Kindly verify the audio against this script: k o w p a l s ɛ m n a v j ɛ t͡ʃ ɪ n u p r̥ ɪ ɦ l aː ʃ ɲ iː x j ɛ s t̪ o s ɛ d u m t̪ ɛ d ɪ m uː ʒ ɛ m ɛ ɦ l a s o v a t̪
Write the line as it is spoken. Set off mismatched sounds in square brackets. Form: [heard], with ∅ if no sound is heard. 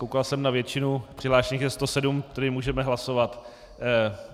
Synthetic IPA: k o w [k] a l s ɛ m n a v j ɛ t͡ʃ ɪ n u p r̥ ɪ ɦ l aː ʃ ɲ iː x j ɛ s t̪ o s ɛ d u m t̪ ɛ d ɪ m uː ʒ ɛ m ɛ ɦ l a s o v a t̪